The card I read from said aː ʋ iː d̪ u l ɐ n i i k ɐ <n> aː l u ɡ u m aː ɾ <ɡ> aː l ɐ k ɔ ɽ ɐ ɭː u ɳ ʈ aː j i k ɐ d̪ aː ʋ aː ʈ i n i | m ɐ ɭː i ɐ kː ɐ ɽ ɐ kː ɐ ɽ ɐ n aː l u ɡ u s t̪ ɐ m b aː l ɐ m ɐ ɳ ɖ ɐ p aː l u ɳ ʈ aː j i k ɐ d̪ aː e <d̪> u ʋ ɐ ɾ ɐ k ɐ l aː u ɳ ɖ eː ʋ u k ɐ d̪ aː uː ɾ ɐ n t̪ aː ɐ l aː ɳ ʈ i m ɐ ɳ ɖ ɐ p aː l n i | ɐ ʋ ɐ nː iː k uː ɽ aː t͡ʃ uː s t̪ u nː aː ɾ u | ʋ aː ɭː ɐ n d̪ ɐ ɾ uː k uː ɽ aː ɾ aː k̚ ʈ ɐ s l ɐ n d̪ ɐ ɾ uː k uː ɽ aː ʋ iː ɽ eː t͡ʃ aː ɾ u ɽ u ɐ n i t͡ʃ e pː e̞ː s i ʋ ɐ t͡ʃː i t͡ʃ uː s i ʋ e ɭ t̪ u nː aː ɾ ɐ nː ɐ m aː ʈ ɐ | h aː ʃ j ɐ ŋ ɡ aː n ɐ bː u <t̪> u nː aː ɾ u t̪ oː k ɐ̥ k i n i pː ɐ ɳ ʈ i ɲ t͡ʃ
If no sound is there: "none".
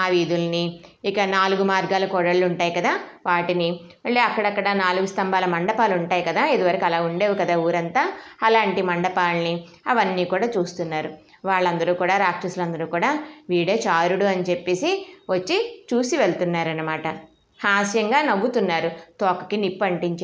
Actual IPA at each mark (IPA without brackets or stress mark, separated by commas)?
n, ɡ, d̪, t̪